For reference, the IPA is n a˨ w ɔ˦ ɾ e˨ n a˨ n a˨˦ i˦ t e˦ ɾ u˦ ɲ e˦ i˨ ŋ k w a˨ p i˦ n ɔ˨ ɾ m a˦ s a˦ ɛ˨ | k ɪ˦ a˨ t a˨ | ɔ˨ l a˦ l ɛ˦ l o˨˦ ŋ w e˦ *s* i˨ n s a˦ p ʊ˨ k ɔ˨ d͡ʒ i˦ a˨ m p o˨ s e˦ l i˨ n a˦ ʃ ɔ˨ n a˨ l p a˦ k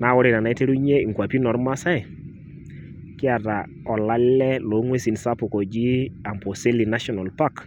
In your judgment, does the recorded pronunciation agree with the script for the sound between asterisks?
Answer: yes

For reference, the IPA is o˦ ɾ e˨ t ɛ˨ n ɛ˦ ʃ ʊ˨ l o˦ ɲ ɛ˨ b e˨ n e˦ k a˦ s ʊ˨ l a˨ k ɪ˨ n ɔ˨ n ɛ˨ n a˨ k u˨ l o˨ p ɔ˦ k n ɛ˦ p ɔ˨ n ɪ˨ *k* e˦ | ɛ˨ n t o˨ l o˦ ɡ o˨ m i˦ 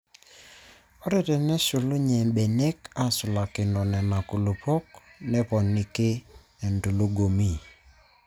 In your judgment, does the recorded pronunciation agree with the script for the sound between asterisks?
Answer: yes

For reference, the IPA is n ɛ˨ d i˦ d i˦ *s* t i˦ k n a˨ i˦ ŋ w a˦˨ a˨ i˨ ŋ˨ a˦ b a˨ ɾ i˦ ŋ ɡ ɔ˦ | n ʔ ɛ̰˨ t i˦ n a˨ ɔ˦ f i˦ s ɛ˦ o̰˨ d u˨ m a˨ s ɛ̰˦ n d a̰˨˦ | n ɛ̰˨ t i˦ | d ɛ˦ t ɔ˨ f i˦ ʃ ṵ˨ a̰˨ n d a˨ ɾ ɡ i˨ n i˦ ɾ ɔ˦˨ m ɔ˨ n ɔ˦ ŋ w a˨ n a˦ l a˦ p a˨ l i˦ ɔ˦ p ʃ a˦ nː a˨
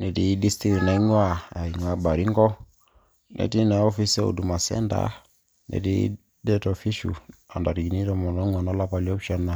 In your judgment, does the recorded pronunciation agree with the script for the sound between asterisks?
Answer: yes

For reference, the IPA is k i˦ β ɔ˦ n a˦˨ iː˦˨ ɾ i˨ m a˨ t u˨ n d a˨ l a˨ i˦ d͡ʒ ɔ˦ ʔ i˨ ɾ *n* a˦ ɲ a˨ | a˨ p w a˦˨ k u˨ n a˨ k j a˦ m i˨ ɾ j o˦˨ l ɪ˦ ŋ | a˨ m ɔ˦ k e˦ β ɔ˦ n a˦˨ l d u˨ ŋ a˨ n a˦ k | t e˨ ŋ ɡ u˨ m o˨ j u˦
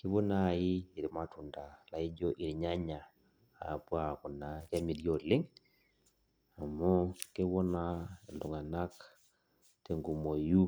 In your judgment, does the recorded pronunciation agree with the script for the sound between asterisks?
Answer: no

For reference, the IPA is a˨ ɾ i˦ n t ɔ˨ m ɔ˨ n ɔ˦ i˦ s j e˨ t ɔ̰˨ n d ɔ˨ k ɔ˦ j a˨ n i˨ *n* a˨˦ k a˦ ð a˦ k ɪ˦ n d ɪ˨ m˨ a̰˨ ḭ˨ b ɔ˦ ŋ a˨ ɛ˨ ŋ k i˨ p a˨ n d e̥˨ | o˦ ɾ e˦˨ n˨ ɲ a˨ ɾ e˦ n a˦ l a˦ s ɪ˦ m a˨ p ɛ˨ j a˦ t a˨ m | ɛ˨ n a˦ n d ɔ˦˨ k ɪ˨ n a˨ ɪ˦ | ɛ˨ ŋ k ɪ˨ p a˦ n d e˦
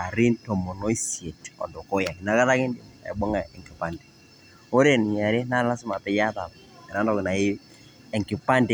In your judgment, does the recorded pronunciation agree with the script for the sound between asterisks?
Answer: yes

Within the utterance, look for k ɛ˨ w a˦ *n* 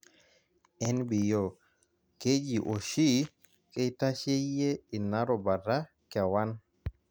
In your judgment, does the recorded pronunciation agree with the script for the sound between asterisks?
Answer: yes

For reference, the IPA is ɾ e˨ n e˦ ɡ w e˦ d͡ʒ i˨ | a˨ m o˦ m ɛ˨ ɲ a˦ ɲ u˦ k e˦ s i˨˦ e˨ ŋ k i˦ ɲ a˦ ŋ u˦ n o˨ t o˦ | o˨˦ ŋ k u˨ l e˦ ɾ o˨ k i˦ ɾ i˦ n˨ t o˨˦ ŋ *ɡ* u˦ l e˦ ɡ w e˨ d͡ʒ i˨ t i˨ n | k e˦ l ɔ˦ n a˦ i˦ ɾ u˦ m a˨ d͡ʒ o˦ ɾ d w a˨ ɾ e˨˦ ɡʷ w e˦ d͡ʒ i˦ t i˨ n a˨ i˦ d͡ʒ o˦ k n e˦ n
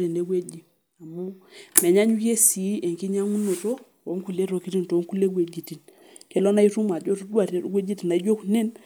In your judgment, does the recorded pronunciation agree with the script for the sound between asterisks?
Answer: no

